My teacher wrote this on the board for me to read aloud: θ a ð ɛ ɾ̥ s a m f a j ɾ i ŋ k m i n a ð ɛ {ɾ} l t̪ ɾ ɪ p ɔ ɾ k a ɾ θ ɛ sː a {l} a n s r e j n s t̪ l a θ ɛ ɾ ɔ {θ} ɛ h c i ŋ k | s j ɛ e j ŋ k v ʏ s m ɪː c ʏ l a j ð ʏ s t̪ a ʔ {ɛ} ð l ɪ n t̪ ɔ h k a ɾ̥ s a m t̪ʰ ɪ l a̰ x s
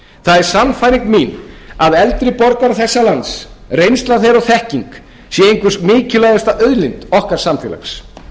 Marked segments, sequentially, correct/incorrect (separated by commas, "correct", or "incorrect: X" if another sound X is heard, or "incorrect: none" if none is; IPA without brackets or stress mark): incorrect: none, correct, correct, incorrect: œ